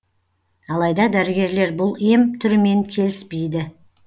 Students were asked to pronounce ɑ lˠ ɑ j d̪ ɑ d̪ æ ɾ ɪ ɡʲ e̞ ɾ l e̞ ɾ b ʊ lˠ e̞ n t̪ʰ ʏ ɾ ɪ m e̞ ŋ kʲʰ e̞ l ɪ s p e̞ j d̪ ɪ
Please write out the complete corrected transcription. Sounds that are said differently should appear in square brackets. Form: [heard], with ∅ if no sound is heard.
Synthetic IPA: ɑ lˠ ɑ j d̪ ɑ d̪ æ ɾ ɪ ɡʲ e̞ ɾ l e̞ ɾ b ʊ lˠ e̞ [m] t̪ʰ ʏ ɾ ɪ m e̞ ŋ kʲʰ e̞ l ɪ s p e̞ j d̪ ɪ